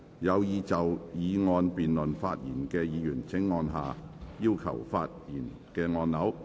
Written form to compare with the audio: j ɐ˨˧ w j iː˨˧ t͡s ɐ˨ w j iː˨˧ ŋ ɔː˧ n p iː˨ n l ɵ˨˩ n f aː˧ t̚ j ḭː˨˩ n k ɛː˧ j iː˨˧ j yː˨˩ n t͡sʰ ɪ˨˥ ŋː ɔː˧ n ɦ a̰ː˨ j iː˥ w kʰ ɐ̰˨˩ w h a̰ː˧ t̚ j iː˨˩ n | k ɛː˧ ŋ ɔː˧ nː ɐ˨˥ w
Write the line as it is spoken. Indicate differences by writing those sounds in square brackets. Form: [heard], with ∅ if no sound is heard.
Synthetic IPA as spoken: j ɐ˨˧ w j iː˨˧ t͡s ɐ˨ w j iː˨˧ ŋ ɔː˧ n p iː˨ n l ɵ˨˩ n f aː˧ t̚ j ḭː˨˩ n k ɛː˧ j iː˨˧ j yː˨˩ n t͡sʰ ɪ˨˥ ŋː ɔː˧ n ɦ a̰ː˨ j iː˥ w kʰ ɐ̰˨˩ w [f] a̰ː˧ t̚ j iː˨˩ n | k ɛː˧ ŋ ɔː˧ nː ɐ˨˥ w